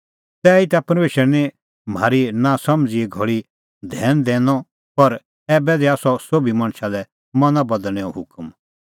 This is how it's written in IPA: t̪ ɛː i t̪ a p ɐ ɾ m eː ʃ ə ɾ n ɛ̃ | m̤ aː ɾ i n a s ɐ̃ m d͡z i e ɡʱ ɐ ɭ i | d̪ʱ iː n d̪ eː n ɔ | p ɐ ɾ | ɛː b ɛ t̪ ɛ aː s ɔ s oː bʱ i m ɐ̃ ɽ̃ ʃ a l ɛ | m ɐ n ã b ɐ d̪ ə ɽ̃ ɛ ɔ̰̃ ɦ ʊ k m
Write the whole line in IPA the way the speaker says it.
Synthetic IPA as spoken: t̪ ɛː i t̪ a p ɐ ɾ m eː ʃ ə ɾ n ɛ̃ | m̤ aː ɾ i n a s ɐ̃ m d͡z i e ɡʱ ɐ ɭ i | d̪ʱ ɛː n d̪ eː n ɔ | p ɐ ɾ | ɛː b ɛ d̪ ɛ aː s ɔ s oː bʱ i m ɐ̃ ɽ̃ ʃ a l ɛ | m ɐ n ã b ɐ d̪ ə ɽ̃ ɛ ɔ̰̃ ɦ ʊ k m